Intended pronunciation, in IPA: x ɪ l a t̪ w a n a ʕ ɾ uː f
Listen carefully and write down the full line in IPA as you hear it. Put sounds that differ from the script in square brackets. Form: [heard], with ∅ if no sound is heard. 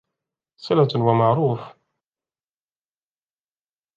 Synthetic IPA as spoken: [s] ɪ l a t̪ w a [m] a ʕ ɾ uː f